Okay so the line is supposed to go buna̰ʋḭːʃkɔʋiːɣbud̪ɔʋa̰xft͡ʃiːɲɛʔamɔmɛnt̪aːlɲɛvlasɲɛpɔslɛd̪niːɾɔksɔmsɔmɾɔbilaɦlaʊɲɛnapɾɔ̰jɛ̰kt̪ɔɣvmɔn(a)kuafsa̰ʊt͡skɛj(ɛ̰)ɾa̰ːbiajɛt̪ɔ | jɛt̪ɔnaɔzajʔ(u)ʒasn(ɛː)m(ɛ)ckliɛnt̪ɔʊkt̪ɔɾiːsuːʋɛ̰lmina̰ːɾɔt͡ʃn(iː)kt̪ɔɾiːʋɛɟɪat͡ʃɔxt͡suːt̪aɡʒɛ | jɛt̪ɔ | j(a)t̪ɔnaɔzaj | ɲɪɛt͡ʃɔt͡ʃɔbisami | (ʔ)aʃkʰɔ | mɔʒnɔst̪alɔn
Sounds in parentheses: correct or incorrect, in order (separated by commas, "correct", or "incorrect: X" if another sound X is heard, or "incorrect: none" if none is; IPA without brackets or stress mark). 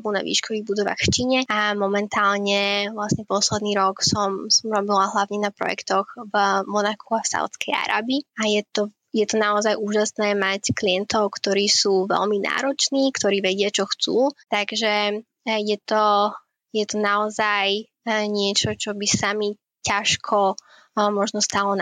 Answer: correct, incorrect: a̰, incorrect: uː, correct, incorrect: a, correct, incorrect: ɛ, incorrect: c